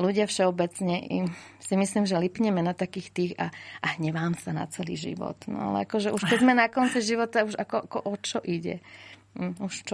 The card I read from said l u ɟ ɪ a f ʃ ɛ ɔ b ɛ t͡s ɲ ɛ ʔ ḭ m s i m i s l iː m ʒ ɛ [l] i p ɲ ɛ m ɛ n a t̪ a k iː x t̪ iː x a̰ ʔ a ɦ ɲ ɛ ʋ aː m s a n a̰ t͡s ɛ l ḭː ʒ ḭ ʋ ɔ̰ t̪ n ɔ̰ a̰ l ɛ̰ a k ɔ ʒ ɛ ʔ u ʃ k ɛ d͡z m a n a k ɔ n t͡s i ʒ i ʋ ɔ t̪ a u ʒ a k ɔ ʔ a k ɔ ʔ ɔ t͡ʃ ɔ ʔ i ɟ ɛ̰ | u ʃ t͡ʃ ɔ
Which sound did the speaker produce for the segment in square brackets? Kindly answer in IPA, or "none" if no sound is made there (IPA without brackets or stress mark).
l